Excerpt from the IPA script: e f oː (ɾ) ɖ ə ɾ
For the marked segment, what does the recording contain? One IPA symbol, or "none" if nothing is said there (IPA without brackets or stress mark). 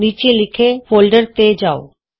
l